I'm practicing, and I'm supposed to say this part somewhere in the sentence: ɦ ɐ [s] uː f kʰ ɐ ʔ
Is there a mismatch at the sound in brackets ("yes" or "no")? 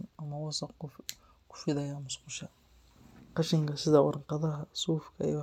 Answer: no